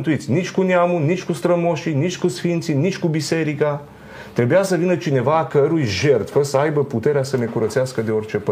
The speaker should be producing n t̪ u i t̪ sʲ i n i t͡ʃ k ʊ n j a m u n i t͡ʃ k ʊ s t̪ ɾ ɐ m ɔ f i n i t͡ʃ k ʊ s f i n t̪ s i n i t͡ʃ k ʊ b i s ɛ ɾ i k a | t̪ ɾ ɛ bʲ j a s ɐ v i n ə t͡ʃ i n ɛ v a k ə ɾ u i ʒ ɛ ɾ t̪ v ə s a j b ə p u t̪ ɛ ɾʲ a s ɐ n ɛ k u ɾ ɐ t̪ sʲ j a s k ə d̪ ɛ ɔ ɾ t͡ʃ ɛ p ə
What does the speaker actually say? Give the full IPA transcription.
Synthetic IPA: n t̪ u i t̪ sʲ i n i t͡ʃ k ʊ n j a m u n i t͡ʃ k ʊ s t̪ ɾ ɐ m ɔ ʃ i n i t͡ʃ k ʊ s f i n t̪ s i n i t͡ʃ k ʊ b i s ɛ ɾ i k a | t̪ ɾ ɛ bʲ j a s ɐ v i n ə t͡ʃ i n ɛ v a k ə ɾ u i ʒ ɛ ɾ t̪ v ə s a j b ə p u t̪ ɛ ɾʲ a s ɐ n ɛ k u ɾ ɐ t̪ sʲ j a s k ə d̪ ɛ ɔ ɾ t͡ʃ ɛ p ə